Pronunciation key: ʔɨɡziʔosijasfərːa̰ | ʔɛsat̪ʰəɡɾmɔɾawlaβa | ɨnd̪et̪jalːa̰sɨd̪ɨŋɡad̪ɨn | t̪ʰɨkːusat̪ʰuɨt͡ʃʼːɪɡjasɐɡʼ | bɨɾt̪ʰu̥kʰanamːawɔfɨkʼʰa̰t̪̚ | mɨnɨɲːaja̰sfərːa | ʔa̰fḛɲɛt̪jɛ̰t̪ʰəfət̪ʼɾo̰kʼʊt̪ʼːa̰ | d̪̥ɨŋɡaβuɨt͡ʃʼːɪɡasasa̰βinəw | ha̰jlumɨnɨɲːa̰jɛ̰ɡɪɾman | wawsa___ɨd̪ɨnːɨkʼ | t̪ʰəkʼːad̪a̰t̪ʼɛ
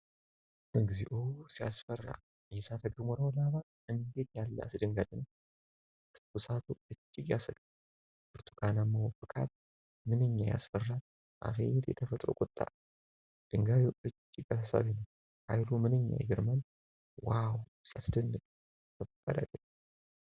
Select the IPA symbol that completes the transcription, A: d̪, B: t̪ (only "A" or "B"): B